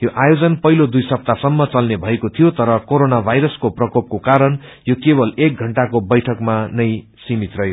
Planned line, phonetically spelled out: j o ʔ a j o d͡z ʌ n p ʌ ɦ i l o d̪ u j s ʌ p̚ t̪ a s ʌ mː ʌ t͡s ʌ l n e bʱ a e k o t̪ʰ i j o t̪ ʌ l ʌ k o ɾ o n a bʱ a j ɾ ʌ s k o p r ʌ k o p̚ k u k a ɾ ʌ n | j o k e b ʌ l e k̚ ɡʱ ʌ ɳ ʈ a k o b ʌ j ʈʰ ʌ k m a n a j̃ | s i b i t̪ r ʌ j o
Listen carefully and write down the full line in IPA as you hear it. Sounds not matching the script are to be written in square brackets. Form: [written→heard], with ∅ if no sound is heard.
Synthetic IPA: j o ʔ a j o d͡z ʌ n p ʌ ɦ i l o d̪ u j s ʌ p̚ t̪ a s ʌ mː ʌ t͡s ʌ l n e bʱ [a→ʌ] e k o t̪ʰ i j o t̪ ʌ [l→ɾ] ʌ k o ɾ o n a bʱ a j ɾ ʌ s k o p r ʌ k o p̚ k [u→o] k a ɾ ʌ n | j o k e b ʌ l e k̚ ɡʱ ʌ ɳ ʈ a k o b ʌ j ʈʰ ʌ k m a n [a→ʌ] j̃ | s i [b→m] i t̪ r ʌ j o